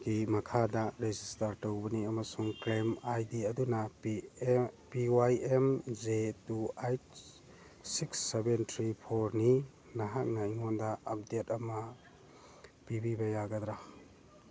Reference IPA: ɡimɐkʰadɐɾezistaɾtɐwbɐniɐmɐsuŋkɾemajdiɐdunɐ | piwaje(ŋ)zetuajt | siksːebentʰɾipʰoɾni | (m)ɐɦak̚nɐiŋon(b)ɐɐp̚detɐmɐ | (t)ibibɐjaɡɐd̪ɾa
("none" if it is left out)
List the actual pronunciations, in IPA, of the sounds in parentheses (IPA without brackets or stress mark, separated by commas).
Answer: m, n, d, p